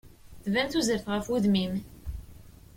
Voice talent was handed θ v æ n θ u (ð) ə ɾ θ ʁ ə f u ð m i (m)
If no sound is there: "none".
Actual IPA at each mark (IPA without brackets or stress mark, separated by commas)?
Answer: z, m